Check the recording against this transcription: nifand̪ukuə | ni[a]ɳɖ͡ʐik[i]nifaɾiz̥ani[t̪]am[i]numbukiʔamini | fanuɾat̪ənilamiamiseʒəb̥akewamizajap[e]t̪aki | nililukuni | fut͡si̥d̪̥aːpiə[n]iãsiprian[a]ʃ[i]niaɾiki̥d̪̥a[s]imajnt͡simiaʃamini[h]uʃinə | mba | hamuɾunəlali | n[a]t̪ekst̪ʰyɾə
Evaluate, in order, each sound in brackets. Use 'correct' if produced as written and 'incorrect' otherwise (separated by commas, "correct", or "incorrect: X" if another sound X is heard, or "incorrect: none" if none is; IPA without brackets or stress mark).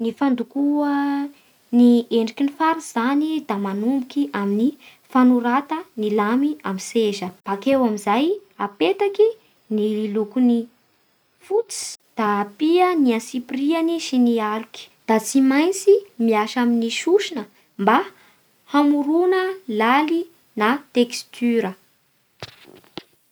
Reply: incorrect: e, correct, incorrect: d̪, incorrect: a, correct, correct, incorrect: i, correct, incorrect: t͡s, incorrect: ʃ, correct